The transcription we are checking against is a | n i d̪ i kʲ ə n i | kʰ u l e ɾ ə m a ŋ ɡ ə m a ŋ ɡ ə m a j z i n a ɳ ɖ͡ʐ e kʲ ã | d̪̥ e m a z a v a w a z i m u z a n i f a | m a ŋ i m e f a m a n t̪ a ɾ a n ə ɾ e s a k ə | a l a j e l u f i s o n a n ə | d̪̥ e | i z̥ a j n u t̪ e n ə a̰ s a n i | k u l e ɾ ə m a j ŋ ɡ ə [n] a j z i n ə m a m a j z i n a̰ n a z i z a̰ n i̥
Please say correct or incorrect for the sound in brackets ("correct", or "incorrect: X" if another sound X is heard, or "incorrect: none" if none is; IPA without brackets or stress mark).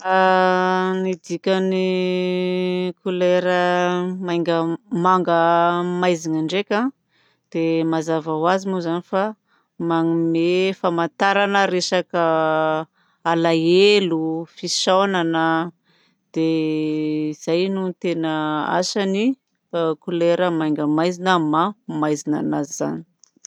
incorrect: m